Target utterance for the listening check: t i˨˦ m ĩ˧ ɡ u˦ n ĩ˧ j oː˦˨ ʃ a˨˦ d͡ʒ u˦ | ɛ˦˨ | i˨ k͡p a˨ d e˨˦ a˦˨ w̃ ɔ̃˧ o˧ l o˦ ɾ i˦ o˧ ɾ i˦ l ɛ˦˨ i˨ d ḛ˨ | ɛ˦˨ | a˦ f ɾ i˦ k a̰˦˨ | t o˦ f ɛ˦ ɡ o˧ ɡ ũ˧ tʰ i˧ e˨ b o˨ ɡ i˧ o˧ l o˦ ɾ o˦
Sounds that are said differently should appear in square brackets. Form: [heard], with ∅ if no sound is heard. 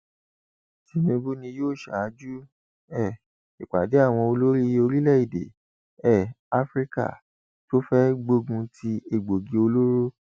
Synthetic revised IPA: t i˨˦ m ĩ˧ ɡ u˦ n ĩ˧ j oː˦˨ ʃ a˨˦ d͡ʒ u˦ | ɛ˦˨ | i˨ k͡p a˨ d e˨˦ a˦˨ w̃ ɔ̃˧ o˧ l o˦ ɾ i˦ o˧ ɾ i˦ l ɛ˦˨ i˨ d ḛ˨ | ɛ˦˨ | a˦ f ɾ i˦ k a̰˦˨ | t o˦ f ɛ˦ [ɡ͡b] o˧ ɡ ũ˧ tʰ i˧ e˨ [ɡ͡b] o˨ ɡ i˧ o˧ l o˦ ɾ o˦

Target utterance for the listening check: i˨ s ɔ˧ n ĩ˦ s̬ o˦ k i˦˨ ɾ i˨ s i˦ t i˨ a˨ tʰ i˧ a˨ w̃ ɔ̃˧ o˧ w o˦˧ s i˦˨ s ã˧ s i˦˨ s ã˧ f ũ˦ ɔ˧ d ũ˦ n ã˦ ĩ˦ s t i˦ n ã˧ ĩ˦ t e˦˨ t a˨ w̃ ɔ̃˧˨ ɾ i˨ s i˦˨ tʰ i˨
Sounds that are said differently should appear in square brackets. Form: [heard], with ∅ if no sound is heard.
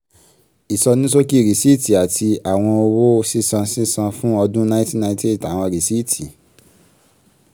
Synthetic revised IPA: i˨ s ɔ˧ n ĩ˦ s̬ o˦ k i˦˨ ɾ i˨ s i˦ t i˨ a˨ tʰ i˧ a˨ w̃ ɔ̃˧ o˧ w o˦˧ s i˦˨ s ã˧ s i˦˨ s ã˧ f ũ˦ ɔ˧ d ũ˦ n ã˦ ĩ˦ [∅] t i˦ n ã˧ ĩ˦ t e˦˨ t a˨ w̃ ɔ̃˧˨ ɾ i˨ s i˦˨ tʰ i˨

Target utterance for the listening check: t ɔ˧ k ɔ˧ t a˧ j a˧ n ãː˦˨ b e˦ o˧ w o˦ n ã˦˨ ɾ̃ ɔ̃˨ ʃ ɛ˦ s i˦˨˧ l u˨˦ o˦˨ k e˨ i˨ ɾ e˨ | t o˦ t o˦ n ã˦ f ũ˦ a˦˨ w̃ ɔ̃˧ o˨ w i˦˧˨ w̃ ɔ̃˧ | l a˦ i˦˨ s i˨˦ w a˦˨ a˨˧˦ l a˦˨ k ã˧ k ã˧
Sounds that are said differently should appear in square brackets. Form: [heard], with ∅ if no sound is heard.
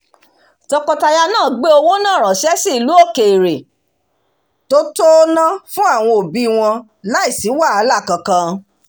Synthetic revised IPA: t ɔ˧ k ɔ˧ t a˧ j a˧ n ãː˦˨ [ɡ͡b] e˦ o˧ w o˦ n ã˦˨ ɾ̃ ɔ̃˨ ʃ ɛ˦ s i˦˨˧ l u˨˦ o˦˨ k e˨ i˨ ɾ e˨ | t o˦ t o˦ n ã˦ f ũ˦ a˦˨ w̃ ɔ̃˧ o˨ [b] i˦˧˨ w̃ ɔ̃˧ | l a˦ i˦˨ s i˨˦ w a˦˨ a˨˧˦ l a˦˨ k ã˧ k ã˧

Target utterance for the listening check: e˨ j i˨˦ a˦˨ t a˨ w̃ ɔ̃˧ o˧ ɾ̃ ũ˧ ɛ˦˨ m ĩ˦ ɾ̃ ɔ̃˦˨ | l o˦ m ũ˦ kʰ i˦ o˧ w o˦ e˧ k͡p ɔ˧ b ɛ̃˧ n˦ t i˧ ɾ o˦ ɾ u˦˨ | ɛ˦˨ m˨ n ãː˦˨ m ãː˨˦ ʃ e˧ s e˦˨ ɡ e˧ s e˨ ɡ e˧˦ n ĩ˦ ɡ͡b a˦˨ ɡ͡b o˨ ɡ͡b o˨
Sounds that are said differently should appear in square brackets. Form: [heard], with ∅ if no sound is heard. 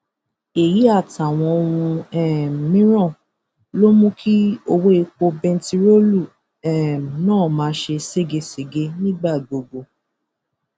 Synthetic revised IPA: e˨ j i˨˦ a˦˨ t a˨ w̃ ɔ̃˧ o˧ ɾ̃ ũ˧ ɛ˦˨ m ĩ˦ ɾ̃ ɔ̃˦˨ | l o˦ m ũ˦ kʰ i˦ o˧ w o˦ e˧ k͡p [o˧] b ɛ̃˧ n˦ t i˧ ɾ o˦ [l] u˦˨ | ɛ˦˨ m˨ n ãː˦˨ m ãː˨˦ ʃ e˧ s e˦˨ ɡ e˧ s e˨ ɡ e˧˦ n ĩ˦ ɡ͡b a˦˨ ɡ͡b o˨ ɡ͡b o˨

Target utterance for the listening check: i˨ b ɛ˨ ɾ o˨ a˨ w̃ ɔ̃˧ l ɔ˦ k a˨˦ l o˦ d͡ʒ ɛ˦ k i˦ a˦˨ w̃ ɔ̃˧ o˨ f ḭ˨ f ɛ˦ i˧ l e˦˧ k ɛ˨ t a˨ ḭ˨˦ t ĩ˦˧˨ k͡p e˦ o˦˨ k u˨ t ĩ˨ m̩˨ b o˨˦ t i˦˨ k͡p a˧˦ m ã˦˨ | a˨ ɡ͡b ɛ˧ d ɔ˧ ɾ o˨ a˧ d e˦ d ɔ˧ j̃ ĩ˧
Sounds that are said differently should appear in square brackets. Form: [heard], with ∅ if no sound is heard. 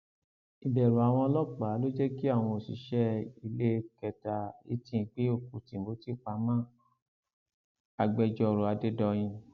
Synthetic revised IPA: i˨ b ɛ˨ ɾ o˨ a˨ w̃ ɔ̃˧ l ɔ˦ [k͡p] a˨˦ l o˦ d͡ʒ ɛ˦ k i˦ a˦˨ w̃ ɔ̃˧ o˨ [s] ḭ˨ [ʃ] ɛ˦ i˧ l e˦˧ k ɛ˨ t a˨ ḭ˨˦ t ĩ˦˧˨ k͡p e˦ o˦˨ k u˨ t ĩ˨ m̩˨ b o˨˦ t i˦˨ k͡p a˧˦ m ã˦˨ | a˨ ɡ͡b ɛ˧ [d͡ʒ] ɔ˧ ɾ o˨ a˧ d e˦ d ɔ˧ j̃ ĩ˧

